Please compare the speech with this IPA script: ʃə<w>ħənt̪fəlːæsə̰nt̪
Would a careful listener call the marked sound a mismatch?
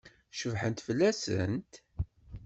yes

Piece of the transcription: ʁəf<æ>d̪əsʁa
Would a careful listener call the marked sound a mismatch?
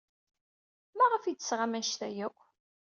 yes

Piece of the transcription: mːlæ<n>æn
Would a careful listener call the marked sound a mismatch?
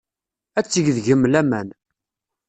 yes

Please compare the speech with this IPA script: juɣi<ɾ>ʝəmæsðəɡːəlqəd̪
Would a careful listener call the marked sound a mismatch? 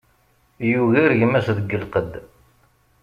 no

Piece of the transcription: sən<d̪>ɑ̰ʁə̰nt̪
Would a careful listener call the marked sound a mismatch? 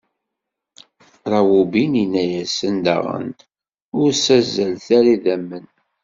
no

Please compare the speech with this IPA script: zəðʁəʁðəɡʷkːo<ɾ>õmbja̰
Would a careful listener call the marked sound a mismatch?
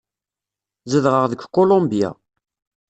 yes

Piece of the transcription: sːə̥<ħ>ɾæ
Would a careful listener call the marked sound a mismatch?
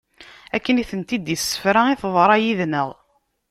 yes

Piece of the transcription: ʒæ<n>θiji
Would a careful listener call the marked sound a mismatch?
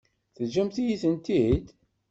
yes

